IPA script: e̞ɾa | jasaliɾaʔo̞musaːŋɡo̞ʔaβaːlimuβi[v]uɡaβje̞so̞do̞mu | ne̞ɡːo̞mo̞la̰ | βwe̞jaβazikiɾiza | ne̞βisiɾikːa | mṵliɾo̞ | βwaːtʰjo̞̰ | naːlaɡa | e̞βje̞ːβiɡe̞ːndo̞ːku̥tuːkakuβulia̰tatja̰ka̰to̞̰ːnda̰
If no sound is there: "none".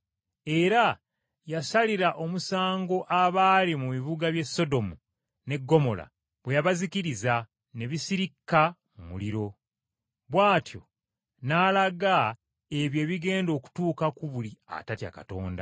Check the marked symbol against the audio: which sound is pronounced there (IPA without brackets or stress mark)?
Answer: β